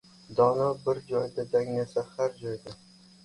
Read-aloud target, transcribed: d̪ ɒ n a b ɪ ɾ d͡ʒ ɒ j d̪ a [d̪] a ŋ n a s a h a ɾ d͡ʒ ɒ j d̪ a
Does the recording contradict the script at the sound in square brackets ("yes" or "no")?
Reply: no